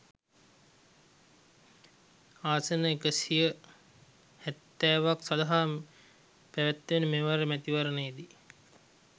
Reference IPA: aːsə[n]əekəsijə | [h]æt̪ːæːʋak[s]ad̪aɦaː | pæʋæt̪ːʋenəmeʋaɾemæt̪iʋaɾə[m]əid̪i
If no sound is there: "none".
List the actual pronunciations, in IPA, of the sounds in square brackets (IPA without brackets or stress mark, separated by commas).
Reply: n, h, s, n